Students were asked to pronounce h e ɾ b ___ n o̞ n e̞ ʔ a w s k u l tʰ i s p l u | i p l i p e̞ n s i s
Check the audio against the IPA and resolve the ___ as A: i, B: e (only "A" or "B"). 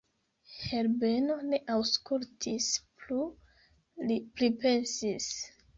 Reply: B